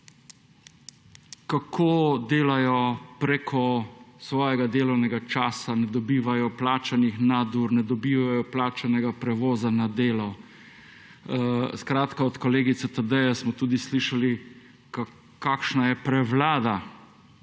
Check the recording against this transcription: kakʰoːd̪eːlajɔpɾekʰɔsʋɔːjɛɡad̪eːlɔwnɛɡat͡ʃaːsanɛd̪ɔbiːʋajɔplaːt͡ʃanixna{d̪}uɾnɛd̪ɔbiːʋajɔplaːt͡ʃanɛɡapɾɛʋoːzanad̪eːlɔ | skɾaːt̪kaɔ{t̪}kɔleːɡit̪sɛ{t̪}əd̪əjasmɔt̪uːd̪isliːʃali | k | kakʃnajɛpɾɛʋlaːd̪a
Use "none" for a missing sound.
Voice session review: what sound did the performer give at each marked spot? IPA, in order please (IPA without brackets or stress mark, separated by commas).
d̪, t̪, t̪